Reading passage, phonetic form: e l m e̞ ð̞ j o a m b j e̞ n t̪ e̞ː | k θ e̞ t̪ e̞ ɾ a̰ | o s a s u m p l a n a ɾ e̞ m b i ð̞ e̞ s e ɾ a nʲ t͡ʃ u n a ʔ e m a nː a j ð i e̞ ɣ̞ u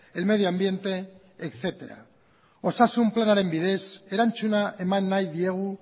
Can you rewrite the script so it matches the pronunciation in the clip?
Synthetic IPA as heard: e l m e̞ ð̞ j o a m b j e̞ n t̪ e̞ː | k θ e̞ t̪ e̞ ɾ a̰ | o s a s u m p l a n a ɾ e̞ m b i ð̞ e̞ s e ɾ a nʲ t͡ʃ u n a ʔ e m a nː a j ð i e̞ ɣ̞ u